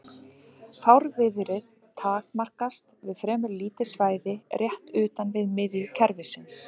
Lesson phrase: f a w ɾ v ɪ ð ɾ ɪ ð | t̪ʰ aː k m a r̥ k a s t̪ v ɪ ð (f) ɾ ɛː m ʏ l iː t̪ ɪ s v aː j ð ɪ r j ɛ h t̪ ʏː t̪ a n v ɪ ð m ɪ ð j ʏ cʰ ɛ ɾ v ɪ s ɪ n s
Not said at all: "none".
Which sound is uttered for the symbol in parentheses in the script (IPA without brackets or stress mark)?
f